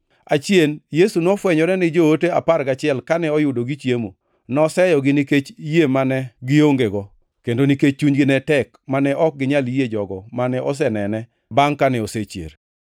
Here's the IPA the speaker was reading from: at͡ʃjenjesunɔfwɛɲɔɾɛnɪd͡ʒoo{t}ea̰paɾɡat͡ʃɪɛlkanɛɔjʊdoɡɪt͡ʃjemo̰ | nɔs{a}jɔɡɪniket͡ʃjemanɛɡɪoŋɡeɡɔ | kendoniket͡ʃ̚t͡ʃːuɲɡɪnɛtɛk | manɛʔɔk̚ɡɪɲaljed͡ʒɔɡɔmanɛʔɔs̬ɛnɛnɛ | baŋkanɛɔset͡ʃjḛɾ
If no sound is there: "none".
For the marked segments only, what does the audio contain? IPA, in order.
t, ɛ

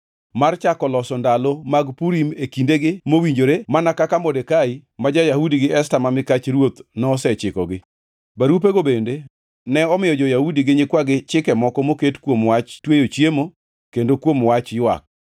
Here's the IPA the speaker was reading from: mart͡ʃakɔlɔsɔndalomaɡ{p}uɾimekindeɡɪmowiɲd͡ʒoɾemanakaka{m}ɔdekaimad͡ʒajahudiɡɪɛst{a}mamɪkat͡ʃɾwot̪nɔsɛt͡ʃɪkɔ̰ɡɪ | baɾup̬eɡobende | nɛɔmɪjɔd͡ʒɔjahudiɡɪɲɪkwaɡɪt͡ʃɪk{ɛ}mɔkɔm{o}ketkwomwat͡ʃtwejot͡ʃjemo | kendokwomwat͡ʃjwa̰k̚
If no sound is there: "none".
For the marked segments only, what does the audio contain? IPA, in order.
p, m, a, ɛ, o

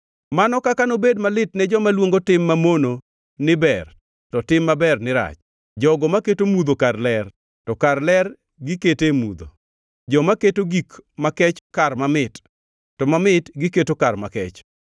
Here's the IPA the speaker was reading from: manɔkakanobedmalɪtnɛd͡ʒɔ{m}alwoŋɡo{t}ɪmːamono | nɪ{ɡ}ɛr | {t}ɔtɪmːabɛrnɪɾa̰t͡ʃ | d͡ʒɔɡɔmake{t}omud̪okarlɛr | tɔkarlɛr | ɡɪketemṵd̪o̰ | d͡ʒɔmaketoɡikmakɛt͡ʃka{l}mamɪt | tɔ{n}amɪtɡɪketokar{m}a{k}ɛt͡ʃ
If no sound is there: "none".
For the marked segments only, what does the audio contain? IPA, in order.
m, t, b, t, t, r, m, m, k

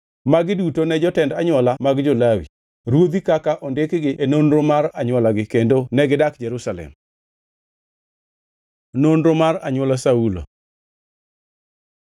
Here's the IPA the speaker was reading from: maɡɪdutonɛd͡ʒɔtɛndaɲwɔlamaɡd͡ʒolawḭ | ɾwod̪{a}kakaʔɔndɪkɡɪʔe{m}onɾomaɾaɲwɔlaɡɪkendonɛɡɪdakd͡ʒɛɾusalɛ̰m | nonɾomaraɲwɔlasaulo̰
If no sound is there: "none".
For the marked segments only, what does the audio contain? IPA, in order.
i, n

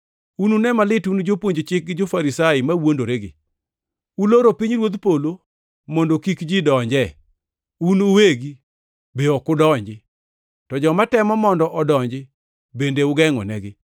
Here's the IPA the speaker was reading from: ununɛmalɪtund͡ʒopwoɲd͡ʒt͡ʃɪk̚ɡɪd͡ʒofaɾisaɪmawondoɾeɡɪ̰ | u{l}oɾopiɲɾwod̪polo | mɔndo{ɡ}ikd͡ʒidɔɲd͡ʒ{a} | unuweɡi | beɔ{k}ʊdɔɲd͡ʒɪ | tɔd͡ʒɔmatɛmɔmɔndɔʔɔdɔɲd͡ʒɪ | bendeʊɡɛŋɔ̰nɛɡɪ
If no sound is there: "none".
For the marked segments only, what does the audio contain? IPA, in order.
l, k, ɛ, k

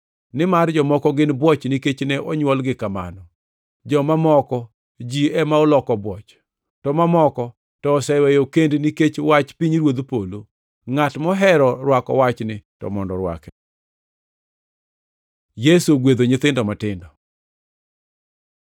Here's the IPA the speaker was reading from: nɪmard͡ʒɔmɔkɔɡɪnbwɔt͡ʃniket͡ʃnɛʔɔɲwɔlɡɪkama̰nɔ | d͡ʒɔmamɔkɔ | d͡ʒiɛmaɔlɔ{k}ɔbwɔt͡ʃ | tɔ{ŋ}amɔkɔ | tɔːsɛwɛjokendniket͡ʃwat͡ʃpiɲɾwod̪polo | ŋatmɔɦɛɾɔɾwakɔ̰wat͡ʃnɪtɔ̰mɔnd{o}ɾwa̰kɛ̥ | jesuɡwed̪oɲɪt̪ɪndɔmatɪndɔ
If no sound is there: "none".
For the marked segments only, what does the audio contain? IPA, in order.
k, m, ɔ

